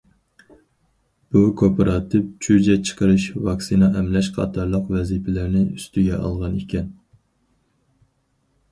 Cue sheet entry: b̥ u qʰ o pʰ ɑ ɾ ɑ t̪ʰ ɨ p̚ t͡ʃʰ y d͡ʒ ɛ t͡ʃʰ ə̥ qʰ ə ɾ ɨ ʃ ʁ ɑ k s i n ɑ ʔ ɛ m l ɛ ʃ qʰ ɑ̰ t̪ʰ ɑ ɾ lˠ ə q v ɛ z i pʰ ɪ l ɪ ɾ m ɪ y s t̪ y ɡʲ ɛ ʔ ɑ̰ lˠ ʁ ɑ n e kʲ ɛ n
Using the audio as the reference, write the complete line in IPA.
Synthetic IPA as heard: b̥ u kʰ o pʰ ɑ ɾ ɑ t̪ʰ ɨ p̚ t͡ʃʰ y d͡ʒ ɛ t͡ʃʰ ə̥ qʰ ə ɾ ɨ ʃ v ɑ k s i n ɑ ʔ ɛ m l ɛ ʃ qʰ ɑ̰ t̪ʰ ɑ ɾ lˠ ə q v ɛ z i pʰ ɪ l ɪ ɾ n ɪ y s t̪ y ɡʲ ɛ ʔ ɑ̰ lˠ ʁ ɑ n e kʲ ɛ n